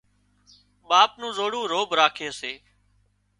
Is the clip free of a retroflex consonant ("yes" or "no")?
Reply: no